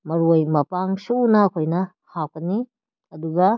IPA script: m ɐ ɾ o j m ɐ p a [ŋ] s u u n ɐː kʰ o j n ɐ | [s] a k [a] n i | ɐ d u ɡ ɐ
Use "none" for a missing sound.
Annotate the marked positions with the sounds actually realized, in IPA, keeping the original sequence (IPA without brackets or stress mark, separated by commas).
ŋ, h, ɐ